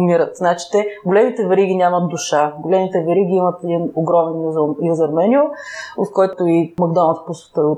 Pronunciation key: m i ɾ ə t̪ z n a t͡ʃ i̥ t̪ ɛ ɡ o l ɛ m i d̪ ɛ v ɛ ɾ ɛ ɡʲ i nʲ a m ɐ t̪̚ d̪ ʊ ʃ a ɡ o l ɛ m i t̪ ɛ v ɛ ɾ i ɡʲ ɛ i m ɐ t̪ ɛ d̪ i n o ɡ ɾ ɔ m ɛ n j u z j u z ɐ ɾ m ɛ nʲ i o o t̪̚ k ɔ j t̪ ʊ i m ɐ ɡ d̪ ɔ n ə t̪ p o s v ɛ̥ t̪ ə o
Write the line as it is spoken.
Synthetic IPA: m i ɾ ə t̪ z n a t͡ʃ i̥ t̪ ɛ ɡ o l ɛ m i t̪ ɛ v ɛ ɾ i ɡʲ i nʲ a m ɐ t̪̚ d̪ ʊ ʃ a ɡ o l ɛ m i t̪ ɛ v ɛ ɾ i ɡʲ i i m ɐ t̪ ɛ d̪ i n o ɡ ɾ ɔ m ɛ n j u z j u z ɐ ɾ m ɛ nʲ i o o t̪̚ k ɔ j t̪ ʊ i m ɐ ɡ d̪ ɔ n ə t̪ p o s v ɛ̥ t̪ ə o